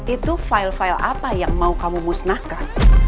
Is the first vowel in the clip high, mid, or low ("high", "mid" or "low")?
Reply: high